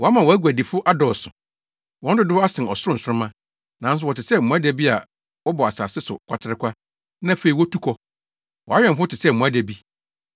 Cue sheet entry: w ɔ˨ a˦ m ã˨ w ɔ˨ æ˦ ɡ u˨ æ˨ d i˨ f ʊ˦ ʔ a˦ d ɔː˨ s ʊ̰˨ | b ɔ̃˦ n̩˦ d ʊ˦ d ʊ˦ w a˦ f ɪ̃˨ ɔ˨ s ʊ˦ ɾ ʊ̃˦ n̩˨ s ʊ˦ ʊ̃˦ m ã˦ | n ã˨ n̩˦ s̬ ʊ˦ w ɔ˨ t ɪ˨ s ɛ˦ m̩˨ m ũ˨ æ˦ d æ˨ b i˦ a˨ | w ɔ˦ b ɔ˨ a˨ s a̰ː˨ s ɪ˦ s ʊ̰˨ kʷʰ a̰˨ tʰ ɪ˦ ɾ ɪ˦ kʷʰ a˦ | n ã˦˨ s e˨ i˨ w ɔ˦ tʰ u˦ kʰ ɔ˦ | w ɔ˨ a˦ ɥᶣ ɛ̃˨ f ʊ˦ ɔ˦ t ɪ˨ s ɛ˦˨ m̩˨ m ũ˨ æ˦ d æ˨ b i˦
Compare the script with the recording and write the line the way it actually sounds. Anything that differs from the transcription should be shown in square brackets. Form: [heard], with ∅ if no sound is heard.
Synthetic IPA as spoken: w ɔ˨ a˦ m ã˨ w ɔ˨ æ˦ ɡ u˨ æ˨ d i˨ f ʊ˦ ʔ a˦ d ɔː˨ s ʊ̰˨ | [w] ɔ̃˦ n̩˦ d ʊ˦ d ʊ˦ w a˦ [s] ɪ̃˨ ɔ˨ s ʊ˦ ɾ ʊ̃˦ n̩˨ s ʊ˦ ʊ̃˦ m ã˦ | n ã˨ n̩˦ s̬ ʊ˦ w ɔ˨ t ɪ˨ s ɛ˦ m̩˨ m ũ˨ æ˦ d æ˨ b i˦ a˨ | w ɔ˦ b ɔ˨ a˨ s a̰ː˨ s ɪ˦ s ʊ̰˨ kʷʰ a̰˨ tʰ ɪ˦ ɾ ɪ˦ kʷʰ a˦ | n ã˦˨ [f] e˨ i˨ w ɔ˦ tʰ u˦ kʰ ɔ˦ | w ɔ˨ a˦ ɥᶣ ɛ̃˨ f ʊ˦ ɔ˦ t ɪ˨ s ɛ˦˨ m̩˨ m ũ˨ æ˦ d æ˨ b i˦